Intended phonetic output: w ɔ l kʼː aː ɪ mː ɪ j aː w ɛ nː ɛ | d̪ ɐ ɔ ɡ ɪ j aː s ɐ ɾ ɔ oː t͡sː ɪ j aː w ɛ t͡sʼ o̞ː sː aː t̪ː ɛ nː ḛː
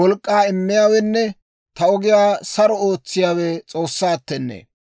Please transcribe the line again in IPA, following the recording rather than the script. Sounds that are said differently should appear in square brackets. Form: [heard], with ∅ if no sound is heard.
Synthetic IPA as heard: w ɔ l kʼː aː ɪ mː ɪ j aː w ɛ nː ɛ | [t̪] ɐ ɔ ɡ ɪ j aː s ɐ ɾ ɔ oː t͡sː ɪ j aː w ɛ t͡sʼ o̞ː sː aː t̪ː ɛ nː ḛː